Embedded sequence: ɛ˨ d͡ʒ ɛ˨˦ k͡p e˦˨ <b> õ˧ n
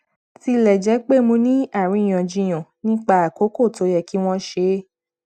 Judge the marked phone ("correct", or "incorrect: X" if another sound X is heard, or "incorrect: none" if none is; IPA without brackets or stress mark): incorrect: m